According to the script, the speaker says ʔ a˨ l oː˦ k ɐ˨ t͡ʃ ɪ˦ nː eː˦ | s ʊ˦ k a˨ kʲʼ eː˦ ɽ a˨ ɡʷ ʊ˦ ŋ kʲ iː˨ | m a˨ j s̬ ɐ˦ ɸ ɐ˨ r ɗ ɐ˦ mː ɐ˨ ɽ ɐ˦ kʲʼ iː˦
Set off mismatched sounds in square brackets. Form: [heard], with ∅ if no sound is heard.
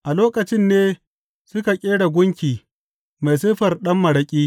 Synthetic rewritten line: ʔ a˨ l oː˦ k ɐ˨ t͡ʃ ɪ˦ nː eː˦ | s ʊ˦ k a˨ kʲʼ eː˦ ɽ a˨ ɡʷ ʊ˦ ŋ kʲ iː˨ | m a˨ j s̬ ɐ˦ ɸ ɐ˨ r ɗ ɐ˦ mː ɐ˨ ɽ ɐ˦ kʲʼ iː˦